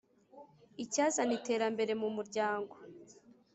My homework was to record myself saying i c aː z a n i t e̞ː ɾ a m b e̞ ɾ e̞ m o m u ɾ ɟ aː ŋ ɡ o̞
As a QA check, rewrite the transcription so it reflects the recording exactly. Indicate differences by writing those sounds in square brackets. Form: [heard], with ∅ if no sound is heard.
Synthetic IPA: i c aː z a n i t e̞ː ɾ a m b e̞ ɾ e̞ m [u] m u ɾ ɟ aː ŋ ɡ o̞